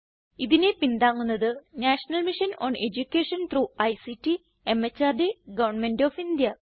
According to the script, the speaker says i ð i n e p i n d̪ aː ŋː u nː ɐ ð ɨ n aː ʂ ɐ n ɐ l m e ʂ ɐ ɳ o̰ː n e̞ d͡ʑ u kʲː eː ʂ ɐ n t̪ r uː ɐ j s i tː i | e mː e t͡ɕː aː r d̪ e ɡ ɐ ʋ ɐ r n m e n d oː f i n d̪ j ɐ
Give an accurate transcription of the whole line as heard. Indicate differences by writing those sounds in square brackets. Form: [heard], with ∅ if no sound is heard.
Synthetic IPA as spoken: i ð i n e p i n d̪ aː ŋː u nː ɐ ð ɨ n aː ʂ ɐ n ɐ l m [i] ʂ ɐ [n] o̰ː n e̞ d͡ʑ u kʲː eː ʂ ɐ n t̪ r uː ɐ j s i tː i | e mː e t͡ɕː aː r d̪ e ɡ ɐ ʋ ɐ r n m e n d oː f i n d̪ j ɐ